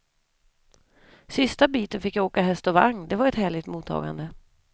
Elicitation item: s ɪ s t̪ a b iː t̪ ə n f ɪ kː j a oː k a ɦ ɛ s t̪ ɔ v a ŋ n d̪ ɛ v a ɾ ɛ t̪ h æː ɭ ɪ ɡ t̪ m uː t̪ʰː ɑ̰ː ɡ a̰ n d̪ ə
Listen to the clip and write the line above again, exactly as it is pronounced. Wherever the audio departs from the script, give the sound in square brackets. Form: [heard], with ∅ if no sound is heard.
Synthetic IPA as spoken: s ɪ s t̪ a b iː t̪ ə n f ɪ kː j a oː k a ɦ ɛ s t̪ ɔ v a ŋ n d̪ ɛ v a ɾ ɛ t̪ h æː ɭ ɪ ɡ t̪ m uː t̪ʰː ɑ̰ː ɡ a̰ n d̪ ə